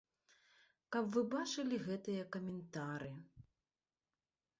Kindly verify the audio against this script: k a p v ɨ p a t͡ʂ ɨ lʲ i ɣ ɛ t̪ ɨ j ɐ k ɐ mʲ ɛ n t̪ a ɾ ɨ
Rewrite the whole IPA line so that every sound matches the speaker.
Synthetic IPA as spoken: k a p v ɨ b a t͡ʂ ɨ lʲ i ɣ ɛ t̪ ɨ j ɐ k ɐ mʲ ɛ n t̪ a ɾ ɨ